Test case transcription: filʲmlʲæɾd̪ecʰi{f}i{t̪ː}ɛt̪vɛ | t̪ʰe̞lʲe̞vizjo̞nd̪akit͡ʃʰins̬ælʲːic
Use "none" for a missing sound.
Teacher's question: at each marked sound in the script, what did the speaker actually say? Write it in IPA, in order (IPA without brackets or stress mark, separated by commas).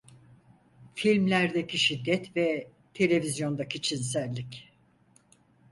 ʃ, d̪ː